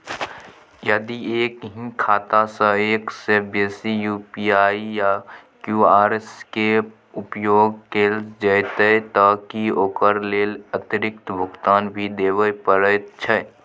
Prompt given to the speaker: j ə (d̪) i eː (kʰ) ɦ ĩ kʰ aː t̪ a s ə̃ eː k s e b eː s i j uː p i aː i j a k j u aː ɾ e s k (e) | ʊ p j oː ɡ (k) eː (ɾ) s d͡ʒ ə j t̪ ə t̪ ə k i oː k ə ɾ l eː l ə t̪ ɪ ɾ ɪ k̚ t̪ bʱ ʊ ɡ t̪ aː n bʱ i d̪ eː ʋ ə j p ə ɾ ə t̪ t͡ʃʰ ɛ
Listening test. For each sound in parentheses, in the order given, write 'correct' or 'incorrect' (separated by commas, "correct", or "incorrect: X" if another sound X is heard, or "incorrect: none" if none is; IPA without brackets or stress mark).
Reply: correct, incorrect: k, correct, correct, incorrect: l